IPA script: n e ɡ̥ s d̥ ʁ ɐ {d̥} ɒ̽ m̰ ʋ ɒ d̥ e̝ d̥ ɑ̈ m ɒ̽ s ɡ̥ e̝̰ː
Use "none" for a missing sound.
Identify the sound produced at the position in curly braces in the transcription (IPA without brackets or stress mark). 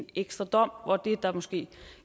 d̥